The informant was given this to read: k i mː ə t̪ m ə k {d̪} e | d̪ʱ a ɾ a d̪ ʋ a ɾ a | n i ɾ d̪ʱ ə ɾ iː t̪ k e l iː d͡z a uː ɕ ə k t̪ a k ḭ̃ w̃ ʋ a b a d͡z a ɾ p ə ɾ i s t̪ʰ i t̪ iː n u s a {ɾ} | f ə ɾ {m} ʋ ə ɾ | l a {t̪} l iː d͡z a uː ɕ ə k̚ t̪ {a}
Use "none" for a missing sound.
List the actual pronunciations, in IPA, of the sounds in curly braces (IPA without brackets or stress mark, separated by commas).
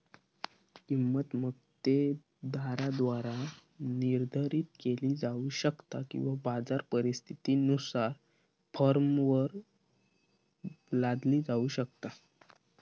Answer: t̪, ɾ, m, d̪, a